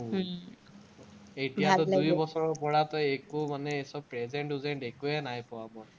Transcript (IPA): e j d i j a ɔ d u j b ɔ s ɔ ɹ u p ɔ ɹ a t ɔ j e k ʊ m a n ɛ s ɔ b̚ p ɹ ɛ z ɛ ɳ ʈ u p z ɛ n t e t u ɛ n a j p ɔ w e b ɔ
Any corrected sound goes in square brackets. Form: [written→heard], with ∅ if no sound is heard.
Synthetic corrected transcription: e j [d→t] i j a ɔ d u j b ɔ s ɔ ɹ [u→ɔ] p ɔ ɹ a t ɔ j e k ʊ m a n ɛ s ɔ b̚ p ɹ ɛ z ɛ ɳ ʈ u [p→∅] z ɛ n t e [t→k] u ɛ n a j p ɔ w [e→a] b ɔ